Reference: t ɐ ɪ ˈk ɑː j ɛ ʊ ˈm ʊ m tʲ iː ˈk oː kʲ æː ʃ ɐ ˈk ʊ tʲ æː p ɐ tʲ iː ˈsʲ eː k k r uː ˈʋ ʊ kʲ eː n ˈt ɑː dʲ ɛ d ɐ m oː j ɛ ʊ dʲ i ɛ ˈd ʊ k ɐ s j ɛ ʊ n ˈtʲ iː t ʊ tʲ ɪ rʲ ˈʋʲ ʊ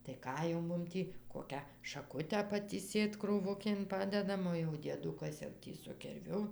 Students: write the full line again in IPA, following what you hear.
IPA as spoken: t ɐ ɪ ˈk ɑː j ɛ ʊ ˈm ʊ m tʲ iː ˈk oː kʲ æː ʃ ɐ ˈk ʊ tʲ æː p ɐ tʲ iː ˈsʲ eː t k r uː ˈʋ ʊ kʲ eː n ˈp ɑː dʲ ɛ d ɐ m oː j ɛ ʊ dʲ i ɛ ˈd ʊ k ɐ s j ɛ ʊ ˈtʲ iː s ʊ kʲ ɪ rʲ ˈʋʲ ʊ

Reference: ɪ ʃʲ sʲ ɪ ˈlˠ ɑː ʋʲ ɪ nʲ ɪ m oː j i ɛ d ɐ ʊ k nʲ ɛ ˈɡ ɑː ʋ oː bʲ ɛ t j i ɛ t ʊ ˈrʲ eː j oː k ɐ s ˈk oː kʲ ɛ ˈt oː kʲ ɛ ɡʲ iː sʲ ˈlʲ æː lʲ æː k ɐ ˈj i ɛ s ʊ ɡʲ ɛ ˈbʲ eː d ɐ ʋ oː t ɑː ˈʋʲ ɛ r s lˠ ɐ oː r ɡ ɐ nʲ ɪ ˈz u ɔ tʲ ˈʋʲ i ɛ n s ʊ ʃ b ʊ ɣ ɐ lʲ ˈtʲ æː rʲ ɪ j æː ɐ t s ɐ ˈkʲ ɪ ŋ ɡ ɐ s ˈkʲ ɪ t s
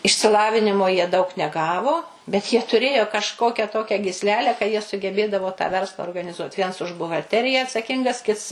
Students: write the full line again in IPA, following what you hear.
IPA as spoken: ɪ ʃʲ sʲ ɪ ˈlˠ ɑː ʋʲ ɪ nʲ ɪ m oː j i ɛ d ɐ ʊ k nʲ ɛ ˈɡ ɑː ʋ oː bʲ ɛ t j i ɛ t ʊ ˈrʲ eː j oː k ɐ ʃ ˈk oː kʲ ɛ ˈt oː kʲ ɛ ɡʲ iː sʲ ˈlʲ æː lʲ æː k ɐ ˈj i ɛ s ʊ ɡʲ ɛ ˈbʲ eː d ɐ ʋ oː t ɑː ˈʋʲ ɛ r s lˠ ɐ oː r ɡ ɐ nʲ ɪ ˈz u ɔ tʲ ˈʋʲ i ɛ n s ʊ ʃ b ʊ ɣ ɐ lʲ ˈtʲ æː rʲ ɪ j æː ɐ t s ɐ ˈkʲ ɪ ŋ ɡ ɐ s ˈkʲ ɪ t s

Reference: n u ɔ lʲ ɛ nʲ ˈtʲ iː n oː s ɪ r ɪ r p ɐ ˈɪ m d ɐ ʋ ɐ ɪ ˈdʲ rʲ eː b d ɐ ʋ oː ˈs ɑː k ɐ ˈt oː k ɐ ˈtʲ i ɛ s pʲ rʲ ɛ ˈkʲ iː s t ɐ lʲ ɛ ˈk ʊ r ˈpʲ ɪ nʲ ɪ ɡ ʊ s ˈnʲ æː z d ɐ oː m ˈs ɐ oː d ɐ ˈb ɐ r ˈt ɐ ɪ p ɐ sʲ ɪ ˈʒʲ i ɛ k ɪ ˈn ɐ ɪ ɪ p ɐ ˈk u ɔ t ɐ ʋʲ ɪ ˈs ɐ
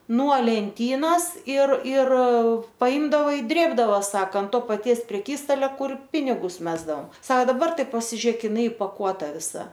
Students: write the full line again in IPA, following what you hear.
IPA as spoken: n u ɔ lʲ ɛ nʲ ˈtʲ iː n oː s ɪ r ɪ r p ɐ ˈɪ m d ɐ ʋ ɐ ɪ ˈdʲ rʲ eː b d ɐ ʋ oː ˈs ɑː k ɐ ˈt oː p ɐ ˈtʲ i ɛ s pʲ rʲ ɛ ˈkʲ iː s t ɐ lʲ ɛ ˈk ʊ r ˈpʲ ɪ nʲ ɪ ɡ ʊ s ˈmʲ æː z d ɐ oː m ˈs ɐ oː d ɐ ˈb ɐ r ˈt ɐ ɪ p ɐ sʲ ɪ ˈʒʲ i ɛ k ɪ ˈn ɐ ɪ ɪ p ɐ ˈk u ɔ t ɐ ʋʲ ɪ ˈs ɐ

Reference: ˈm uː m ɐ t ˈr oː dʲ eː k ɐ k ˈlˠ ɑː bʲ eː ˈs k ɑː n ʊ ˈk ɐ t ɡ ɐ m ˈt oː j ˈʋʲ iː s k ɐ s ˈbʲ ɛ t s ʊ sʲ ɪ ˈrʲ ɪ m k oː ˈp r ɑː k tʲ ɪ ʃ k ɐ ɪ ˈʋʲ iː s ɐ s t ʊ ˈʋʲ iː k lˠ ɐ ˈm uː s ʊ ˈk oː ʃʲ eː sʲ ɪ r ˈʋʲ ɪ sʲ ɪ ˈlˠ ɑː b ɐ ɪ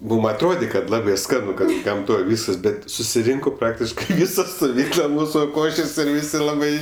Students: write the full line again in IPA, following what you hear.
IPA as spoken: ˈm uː m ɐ t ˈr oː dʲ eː k ɐ t ˈlˠ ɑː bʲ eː ˈs k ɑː n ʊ ˈk ɐ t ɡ ɐ m ˈt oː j ˈʋʲ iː s k ɐ s ˈbʲ ɛ t s ʊ sʲ ɪ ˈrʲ ɪ ŋ k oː ˈp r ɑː k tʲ ɪ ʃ k ɐ ɪ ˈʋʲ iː s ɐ s t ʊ ˈʋʲ iː k lˠ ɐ ˈm uː s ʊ ˈk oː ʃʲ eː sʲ ɪ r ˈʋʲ ɪ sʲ ɪ ˈlˠ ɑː b ɐ ɪ

